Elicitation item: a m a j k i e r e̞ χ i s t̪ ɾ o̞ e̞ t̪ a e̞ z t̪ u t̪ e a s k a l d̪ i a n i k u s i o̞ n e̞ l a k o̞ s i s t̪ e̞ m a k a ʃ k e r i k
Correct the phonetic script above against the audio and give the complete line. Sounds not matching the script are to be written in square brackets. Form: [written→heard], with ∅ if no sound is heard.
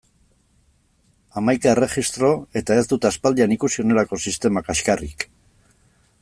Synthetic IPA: a m a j k [i→a] e r e̞ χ i s t̪ ɾ o̞ e̞ t̪ a e̞ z [t̪→d̪] u t̪ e a s [k→p] a l d̪ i a n i k u s i o̞ n e̞ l a k o̞ s i s t̪ e̞ m a k a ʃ k [e→a] r i k